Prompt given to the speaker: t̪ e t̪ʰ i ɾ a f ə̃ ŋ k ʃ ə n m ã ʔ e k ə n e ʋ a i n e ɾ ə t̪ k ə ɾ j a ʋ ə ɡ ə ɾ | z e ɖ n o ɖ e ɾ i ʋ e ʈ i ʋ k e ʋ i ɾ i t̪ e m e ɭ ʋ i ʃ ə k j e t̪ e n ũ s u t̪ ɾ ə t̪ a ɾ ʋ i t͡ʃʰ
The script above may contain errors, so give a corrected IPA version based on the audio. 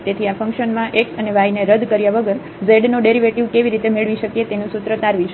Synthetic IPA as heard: t̪ e t̪ʰ i a f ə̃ ŋ k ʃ ə n m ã ʔ e k ə n e ʋ a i n e ɾ ə d̪ k ə ɾ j a ʋ ə ɡ ə ɾ | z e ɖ n o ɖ e ɾ i ʋ e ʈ i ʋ k e ʋ i ɾ i t̪ e m e ɭ ʋ i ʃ ə k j e t̪ e n ũ s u t̪ ɾ ə t̪ a ɾ ʋ i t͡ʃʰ